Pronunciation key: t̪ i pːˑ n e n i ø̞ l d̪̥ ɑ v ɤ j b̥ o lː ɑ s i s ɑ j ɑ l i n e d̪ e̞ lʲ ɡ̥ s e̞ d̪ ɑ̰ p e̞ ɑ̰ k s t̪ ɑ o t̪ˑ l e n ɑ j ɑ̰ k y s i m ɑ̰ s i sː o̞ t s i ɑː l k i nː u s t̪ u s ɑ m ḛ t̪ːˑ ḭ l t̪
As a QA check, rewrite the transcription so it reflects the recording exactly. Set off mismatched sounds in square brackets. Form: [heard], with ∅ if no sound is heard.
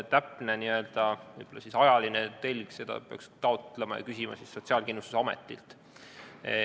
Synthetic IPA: t̪ [æ] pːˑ n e n i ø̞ l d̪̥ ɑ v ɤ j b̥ o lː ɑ s i s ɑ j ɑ l i n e [t̪] e̞ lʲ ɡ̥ s e̞ d̪ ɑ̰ p e̞ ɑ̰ k s t̪ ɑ o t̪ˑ l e [m] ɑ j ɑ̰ k y s i m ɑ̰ s i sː o̞ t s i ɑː l k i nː u s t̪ u s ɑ m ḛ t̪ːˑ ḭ l t̪